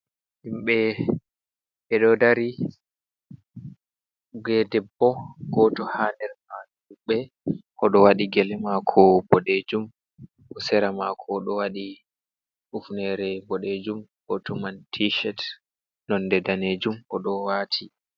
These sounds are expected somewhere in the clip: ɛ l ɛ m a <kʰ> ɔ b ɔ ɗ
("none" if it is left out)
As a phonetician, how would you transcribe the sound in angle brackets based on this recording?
kʰ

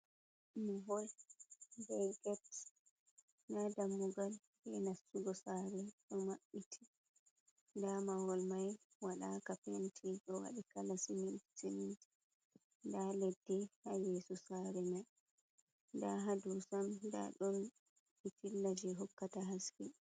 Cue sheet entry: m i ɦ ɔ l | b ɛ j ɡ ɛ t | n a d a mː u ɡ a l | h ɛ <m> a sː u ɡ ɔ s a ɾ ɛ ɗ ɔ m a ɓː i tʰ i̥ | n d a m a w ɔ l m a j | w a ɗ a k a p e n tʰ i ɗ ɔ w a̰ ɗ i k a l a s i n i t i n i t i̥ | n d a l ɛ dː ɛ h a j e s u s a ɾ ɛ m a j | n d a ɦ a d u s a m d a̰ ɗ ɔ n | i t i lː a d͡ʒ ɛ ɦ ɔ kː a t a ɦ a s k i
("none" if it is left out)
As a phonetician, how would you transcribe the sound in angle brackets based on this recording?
n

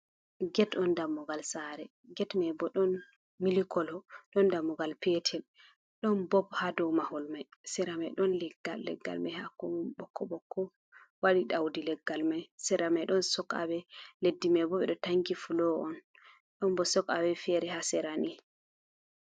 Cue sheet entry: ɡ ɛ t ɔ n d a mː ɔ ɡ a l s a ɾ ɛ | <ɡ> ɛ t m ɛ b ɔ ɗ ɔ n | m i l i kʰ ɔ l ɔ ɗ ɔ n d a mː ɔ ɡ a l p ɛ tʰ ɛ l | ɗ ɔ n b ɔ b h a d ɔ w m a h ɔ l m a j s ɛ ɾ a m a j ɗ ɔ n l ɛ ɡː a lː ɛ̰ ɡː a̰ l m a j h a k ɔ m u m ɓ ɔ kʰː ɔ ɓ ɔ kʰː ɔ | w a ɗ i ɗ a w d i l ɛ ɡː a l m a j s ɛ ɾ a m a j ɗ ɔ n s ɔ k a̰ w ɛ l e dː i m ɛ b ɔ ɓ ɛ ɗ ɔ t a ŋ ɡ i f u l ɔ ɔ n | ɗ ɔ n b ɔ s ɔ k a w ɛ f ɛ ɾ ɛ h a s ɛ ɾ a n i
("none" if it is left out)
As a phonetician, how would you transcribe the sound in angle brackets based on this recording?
ɡ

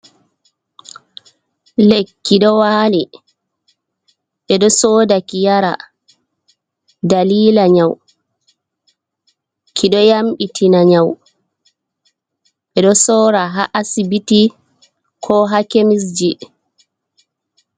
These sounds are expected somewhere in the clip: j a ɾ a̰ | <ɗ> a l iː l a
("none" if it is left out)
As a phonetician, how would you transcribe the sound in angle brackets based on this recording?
d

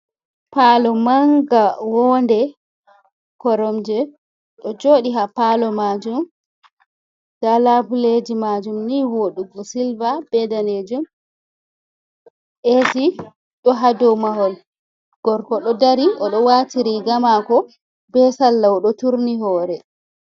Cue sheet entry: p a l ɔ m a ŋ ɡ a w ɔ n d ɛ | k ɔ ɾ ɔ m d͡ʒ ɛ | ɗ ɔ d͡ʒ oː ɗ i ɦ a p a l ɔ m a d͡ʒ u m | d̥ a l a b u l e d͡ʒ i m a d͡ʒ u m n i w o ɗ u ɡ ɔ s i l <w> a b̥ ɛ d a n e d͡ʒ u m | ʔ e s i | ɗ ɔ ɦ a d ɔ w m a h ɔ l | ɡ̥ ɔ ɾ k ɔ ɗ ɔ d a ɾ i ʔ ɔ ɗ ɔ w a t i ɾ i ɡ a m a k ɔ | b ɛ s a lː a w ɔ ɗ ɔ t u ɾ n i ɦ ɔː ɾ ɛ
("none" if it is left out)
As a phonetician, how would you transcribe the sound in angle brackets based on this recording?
v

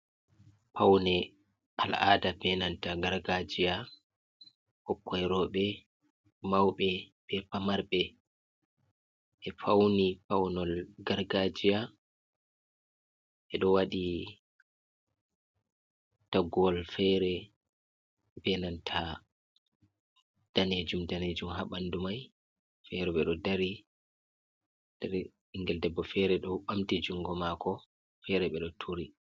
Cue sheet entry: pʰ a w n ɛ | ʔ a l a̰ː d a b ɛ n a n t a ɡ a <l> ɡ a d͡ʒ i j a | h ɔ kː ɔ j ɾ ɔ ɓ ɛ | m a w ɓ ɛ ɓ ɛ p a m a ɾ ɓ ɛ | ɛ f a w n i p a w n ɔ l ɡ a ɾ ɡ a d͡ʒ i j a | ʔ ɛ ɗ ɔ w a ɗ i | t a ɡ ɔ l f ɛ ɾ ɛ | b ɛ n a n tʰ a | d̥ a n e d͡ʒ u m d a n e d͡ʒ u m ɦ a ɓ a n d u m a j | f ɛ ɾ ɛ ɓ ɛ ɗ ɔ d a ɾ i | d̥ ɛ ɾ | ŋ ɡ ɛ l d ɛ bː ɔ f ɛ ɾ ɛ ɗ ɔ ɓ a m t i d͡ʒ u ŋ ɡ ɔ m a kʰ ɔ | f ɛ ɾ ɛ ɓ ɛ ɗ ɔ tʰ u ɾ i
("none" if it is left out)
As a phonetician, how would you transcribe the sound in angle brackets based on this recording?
ɾ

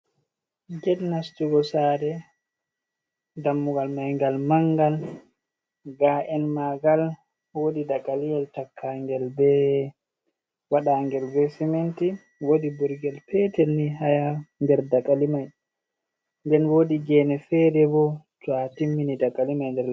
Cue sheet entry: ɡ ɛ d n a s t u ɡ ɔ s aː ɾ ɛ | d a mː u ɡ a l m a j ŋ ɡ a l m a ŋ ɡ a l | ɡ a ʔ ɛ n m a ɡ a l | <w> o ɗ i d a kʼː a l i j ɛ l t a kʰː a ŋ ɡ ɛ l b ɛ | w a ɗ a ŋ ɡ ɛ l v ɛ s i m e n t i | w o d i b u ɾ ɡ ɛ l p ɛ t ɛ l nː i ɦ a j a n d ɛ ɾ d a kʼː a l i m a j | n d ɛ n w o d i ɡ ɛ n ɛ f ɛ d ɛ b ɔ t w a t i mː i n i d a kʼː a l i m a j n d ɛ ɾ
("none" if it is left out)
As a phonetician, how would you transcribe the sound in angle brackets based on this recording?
w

